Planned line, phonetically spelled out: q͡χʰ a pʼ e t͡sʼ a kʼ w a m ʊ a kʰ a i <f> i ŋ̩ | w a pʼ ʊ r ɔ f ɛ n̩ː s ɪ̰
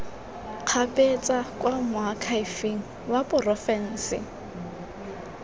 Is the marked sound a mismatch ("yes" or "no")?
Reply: no